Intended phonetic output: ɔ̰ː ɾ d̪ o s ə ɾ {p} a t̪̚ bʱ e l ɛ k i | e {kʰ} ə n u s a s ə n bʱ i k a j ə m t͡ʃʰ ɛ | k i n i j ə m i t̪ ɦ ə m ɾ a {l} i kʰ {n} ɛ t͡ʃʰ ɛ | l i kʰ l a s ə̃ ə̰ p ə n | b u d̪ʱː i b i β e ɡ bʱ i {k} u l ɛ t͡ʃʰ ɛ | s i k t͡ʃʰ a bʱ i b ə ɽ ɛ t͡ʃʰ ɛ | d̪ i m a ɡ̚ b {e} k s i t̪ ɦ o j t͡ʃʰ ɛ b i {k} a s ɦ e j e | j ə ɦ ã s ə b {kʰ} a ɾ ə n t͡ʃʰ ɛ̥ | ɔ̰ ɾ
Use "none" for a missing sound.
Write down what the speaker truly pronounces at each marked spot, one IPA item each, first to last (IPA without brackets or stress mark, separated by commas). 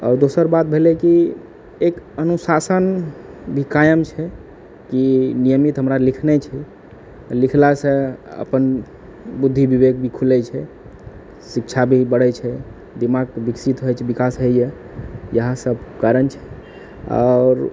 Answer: b, k, l, n, kʰ, i, k, k